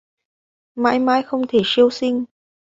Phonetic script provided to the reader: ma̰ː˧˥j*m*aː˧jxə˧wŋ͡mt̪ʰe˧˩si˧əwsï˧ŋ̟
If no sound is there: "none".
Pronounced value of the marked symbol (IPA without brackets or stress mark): m